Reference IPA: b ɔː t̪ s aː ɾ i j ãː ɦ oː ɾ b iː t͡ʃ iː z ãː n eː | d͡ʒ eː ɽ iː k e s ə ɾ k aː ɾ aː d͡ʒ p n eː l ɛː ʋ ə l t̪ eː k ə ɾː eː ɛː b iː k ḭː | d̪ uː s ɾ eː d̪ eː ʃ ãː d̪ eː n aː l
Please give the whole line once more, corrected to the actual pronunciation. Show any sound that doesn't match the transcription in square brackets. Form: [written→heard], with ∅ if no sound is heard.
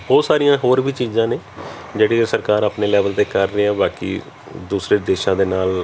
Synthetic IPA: b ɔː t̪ s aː ɾ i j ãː ɦ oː ɾ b iː t͡ʃ iː z ãː n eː | d͡ʒ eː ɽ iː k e s ə ɾ k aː ɾ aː [d͡ʒ→∅] p n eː l ɛː ʋ ə l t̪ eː k ə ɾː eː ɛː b [iː→aː] k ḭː | d̪ uː s ɾ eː d̪ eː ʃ ãː d̪ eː n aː l